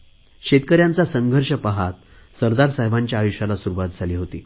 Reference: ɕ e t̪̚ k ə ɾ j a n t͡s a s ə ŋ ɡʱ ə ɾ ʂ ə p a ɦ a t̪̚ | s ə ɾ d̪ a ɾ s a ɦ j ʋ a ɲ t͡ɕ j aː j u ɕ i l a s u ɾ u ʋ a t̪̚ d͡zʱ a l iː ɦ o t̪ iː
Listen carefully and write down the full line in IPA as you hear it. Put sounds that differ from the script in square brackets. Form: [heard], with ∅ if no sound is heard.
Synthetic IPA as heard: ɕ e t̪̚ k ə ɾ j a n t͡s a s ə ŋ ɡʱ ə ɾ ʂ ə p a ɦ a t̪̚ | s ə ɾ d̪ a ɾ s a ɦ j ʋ a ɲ t͡ɕ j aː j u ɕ [a] l a s u ɾ u ʋ a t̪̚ d͡zʱ a l iː ɦ o t̪ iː